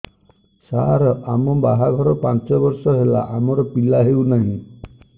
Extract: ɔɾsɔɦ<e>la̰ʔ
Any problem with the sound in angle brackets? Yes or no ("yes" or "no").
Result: no